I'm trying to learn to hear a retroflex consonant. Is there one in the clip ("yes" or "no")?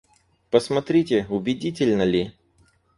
no